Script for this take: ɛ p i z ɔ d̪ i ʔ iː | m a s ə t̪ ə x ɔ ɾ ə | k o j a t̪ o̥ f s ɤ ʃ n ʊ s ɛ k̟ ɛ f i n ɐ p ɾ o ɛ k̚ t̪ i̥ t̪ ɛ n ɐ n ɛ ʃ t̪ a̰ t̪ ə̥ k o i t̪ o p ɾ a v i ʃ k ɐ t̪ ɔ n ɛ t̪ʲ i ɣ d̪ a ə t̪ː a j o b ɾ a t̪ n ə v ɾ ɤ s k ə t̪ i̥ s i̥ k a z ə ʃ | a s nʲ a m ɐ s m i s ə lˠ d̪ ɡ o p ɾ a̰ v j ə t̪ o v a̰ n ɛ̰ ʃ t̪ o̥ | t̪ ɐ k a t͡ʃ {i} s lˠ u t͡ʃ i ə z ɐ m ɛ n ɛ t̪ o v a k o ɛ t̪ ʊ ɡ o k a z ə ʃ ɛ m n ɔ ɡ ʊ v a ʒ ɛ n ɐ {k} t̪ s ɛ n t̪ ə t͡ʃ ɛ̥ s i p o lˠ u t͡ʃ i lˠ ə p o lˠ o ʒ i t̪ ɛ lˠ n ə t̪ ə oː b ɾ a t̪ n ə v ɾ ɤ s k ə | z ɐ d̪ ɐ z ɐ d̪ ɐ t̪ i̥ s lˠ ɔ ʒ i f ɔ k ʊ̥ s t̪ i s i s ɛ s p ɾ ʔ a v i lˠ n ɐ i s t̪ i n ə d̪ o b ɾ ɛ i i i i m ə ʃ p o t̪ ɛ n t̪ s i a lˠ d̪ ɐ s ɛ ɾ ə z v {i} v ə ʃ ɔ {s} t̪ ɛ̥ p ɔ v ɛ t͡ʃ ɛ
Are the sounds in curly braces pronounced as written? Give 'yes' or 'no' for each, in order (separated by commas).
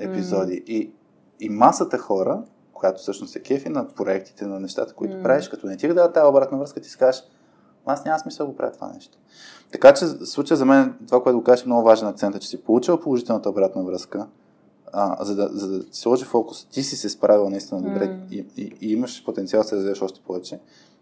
no, yes, yes, no